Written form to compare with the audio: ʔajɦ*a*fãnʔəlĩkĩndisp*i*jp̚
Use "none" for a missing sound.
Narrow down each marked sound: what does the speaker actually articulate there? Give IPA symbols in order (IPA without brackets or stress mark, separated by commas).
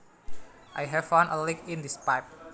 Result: ɛ, a